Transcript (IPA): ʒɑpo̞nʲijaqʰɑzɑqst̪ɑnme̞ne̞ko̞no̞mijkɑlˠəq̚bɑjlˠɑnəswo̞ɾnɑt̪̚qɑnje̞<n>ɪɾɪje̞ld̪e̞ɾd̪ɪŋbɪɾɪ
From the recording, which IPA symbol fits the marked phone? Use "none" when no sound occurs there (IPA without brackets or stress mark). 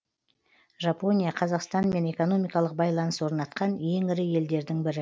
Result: ŋ